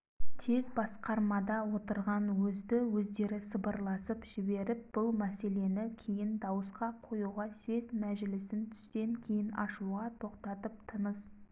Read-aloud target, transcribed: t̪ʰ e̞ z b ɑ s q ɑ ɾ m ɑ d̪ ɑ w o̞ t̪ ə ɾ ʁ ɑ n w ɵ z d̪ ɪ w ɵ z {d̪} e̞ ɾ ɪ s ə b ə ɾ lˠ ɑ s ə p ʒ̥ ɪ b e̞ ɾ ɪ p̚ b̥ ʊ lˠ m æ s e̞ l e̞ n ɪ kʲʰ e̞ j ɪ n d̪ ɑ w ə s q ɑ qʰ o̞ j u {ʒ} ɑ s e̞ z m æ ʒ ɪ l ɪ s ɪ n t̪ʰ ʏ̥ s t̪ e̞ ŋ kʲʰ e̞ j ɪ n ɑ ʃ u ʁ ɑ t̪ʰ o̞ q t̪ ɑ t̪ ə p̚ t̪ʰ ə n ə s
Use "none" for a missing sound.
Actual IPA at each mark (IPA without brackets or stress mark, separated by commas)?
d̪, ʁ